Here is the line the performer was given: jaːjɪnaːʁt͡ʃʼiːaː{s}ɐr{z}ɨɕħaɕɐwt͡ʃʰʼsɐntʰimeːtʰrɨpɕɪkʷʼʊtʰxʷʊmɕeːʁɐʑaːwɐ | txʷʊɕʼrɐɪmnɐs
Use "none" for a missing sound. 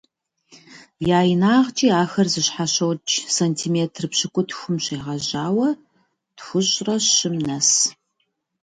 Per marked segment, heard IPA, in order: x, z

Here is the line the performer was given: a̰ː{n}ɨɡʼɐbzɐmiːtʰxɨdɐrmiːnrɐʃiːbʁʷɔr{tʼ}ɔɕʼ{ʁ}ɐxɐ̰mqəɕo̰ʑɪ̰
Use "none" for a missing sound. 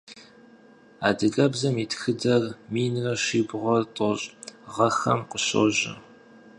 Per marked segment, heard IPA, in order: d, tʼ, ʁ

